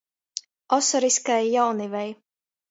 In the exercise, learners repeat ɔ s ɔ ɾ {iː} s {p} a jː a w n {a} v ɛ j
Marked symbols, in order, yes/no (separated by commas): no, no, no